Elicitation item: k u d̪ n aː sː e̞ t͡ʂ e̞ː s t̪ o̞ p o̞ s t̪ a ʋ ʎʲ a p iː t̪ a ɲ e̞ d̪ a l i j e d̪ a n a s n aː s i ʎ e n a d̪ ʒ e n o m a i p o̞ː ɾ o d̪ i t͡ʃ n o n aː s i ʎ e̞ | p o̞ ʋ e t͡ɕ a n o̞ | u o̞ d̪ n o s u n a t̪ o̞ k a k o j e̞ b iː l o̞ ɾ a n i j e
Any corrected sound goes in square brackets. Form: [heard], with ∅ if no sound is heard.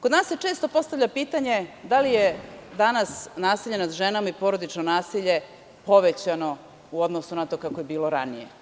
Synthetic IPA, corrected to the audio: k [o] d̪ n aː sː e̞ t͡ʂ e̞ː s t̪ o̞ p o̞ s t̪ a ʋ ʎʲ a p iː t̪ a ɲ e̞ d̪ a l i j e d̪ a n a s n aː s i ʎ e n a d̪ ʒ e n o m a i p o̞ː ɾ o d̪ i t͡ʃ n o n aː s i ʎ e̞ | p o̞ ʋ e t͡ɕ a n o̞ | u o̞ d̪ n o s u n a t̪ o̞ k a k o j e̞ b iː l o̞ ɾ a n i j e